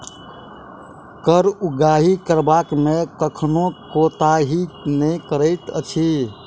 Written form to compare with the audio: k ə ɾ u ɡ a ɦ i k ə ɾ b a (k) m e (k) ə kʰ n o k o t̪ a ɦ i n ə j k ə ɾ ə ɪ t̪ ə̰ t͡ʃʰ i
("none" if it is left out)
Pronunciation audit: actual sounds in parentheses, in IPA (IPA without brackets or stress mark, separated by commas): k, k